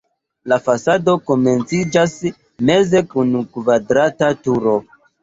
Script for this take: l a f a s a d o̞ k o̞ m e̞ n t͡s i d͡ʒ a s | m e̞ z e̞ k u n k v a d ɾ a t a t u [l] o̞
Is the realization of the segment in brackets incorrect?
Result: yes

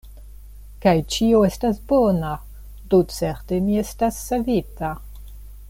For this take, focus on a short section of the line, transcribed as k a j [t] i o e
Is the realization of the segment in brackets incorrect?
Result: yes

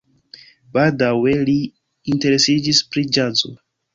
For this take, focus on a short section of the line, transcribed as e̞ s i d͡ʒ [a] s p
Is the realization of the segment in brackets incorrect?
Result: yes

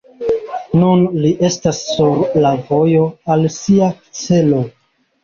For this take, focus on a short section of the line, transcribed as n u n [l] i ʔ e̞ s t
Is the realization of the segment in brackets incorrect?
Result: no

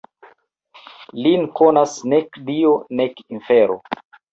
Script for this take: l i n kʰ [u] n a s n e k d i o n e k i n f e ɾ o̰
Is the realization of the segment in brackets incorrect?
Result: yes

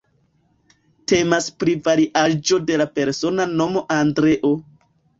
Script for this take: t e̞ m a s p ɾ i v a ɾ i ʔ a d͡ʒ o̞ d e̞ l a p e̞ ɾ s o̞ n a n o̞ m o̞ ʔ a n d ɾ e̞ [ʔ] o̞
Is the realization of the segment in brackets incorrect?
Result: no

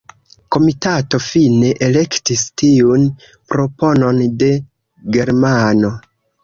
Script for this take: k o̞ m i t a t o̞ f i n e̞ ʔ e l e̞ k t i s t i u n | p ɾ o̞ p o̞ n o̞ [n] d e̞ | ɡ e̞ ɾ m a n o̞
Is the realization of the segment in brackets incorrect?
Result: no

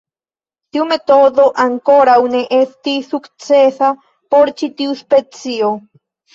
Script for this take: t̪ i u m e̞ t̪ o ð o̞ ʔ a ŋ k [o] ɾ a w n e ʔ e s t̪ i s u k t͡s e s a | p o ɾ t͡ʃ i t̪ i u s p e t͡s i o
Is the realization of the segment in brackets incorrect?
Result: no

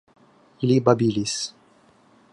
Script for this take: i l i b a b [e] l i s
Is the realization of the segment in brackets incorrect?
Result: yes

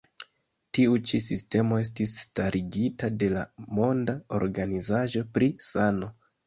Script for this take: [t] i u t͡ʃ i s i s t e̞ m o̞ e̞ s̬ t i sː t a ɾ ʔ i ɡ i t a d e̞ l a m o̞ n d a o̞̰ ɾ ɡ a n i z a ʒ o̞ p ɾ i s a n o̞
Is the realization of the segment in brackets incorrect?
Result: no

